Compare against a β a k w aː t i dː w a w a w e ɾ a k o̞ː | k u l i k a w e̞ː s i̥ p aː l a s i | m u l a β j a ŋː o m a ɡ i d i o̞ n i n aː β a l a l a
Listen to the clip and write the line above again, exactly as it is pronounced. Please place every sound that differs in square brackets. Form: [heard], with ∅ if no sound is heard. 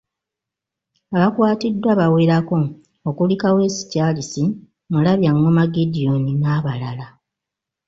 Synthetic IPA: a β a k w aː t i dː w a [β] a w e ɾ a k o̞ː | k u l i k a w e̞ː s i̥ [c] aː l [i] s i | m u l a β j a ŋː o m a ɡ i d i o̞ n i n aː β a l a l a